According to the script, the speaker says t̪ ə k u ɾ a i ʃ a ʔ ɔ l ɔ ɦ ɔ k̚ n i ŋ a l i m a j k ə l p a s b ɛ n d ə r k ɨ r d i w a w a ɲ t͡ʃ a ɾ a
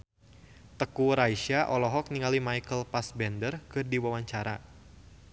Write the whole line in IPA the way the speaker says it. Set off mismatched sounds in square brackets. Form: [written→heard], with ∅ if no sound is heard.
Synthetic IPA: t̪ ə k u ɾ a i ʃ a ʔ ɔ l ɔ ɦ ɔ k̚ n i ŋ a l i m a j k ə l p a s b ɛ n d ə r k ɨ r d i w a w a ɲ t͡ʃ a ɾ a